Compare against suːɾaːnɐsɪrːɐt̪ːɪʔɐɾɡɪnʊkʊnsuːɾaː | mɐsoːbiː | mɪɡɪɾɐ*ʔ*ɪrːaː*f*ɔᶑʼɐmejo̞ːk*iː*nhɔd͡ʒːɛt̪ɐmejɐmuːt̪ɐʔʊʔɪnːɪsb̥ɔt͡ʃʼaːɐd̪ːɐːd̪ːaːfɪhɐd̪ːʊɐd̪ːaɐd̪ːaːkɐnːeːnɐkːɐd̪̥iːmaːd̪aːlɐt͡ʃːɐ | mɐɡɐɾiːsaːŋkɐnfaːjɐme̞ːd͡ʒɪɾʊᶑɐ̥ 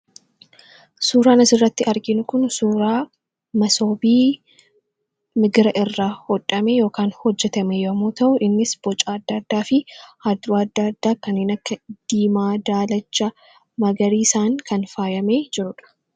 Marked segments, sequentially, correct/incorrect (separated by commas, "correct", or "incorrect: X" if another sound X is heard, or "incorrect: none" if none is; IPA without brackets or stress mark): correct, incorrect: h, incorrect: aː